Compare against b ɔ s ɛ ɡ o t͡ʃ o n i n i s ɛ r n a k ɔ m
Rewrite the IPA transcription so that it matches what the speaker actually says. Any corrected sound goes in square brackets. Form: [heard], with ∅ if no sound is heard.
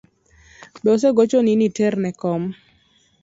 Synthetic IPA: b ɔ s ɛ ɡ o t͡ʃ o n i n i [t] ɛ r n [ɛ] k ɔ m